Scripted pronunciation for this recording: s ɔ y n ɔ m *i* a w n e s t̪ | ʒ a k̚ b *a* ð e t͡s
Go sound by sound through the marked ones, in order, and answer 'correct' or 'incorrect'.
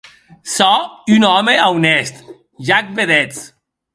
incorrect: e, incorrect: e

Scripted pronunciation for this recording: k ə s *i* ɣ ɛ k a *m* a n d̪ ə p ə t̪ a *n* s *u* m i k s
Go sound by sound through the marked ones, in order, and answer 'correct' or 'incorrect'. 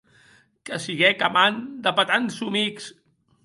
correct, correct, correct, correct

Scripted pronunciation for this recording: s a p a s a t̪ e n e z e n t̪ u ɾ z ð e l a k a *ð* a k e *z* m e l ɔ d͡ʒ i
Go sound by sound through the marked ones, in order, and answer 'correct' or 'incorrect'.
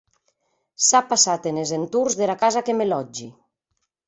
incorrect: z, incorrect: none

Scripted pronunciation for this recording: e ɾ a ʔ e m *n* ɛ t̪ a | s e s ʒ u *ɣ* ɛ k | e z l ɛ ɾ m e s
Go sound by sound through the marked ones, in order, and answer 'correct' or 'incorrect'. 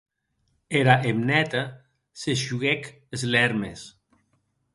correct, correct

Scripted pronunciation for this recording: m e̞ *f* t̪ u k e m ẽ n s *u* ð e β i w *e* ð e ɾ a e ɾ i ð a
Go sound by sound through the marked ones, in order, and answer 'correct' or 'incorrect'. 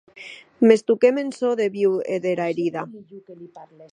incorrect: s, incorrect: o, correct

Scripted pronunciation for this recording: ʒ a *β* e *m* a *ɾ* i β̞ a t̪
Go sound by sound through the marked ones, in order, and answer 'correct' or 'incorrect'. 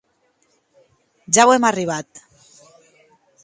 incorrect: w, correct, incorrect: r

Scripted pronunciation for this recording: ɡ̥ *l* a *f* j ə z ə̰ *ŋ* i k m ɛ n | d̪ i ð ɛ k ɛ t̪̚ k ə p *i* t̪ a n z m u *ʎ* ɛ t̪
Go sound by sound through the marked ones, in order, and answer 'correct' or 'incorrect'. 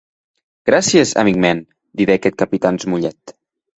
incorrect: ɾ, incorrect: s, incorrect: m, correct, correct

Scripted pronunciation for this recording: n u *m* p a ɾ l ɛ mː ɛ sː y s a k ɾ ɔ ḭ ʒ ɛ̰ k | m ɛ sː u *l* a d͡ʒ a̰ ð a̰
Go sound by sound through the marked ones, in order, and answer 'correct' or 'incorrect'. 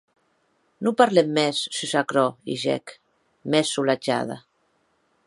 incorrect: none, correct

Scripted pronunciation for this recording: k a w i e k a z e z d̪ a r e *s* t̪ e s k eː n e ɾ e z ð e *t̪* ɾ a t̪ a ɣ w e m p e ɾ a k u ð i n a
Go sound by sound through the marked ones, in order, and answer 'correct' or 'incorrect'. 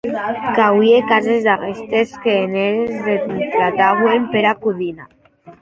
correct, correct

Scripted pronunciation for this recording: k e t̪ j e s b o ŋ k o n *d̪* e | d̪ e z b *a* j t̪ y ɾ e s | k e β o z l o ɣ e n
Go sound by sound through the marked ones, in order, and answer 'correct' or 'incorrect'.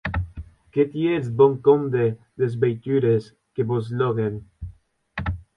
correct, incorrect: e

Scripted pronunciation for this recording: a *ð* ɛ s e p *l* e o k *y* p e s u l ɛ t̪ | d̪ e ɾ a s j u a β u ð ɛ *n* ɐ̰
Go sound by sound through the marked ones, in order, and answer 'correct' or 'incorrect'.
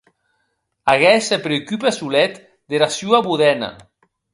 incorrect: ɣ, incorrect: ɾ, correct, correct

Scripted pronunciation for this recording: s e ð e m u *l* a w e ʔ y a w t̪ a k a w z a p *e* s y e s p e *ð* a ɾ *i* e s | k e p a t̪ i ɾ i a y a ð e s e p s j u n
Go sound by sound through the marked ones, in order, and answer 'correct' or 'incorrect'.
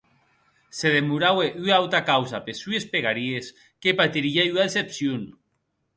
incorrect: ɾ, correct, incorrect: ɣ, correct

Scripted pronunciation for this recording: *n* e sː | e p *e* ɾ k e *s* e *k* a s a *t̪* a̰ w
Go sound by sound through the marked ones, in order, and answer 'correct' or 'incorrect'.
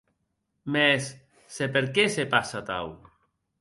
incorrect: m, correct, correct, incorrect: p, correct

